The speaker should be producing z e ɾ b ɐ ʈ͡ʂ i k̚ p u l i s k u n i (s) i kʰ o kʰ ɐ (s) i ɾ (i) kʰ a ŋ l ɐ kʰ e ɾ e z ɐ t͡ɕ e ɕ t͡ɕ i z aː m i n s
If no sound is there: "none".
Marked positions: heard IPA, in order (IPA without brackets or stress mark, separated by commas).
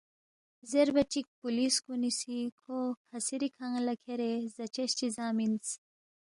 s, s, i